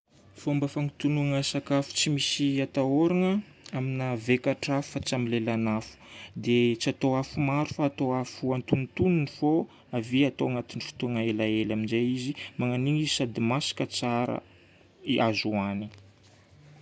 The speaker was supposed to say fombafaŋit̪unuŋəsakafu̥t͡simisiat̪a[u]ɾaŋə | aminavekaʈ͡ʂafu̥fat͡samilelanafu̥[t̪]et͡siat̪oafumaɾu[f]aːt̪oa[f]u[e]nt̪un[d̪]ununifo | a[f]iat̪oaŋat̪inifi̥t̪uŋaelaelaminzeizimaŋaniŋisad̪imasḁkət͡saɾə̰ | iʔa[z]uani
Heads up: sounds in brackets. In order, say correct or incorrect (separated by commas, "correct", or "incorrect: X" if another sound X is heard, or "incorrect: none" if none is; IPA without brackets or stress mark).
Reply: incorrect: o, incorrect: d̪, correct, correct, incorrect: a, incorrect: t̪, incorrect: v, correct